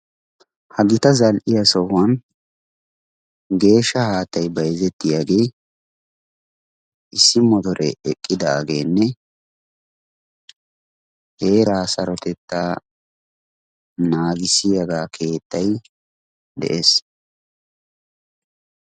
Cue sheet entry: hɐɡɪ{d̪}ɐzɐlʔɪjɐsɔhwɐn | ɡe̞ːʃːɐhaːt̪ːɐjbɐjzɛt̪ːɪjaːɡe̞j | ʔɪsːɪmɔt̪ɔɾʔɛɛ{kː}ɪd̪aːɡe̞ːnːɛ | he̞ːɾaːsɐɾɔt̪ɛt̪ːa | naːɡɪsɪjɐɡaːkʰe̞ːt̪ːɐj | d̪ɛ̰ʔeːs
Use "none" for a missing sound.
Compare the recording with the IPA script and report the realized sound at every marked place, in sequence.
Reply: t̪, kʼː

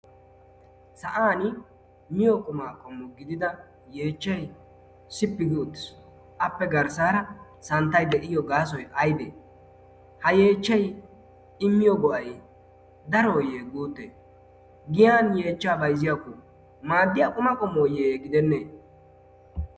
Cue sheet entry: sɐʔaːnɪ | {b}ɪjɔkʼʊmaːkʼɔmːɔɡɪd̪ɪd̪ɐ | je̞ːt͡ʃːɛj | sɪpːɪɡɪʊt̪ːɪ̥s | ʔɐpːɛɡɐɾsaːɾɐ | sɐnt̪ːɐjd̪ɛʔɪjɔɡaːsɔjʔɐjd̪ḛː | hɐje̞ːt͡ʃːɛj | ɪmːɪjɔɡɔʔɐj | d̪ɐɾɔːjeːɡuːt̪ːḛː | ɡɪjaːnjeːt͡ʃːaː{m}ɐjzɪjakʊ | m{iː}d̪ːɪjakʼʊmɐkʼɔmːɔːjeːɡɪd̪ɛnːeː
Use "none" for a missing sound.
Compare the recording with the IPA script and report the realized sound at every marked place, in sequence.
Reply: m, b, aː

